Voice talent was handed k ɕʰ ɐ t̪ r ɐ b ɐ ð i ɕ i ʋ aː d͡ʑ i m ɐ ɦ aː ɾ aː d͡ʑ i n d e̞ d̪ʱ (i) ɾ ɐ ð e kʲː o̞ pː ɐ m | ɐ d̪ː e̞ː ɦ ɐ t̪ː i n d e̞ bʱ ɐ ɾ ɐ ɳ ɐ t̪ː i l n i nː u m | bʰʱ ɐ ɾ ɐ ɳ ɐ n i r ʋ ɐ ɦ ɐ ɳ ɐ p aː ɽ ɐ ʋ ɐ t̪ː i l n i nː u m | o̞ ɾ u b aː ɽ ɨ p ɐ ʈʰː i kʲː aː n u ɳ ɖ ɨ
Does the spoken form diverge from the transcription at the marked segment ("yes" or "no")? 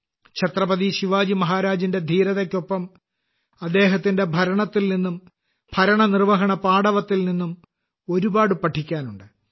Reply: yes